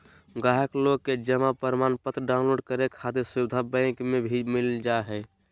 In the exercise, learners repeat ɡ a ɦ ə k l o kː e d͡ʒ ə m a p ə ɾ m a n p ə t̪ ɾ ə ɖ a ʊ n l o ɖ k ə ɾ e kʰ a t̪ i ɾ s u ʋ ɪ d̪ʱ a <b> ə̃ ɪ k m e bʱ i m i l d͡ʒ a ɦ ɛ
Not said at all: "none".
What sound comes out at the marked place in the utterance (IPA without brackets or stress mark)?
b